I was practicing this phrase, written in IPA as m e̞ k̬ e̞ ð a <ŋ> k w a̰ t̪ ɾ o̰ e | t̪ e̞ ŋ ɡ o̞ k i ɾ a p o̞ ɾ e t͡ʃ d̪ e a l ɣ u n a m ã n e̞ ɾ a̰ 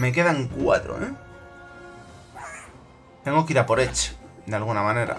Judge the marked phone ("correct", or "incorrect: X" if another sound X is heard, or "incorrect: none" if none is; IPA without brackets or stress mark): correct